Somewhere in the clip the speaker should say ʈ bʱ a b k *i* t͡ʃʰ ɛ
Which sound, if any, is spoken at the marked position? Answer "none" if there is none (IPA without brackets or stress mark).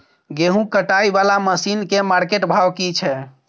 i